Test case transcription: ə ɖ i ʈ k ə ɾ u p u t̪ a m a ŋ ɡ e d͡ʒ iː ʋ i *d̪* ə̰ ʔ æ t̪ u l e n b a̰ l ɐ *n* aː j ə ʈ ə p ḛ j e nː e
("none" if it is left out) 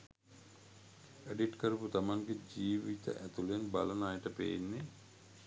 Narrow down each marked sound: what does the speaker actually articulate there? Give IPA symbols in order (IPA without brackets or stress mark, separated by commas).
t̪, n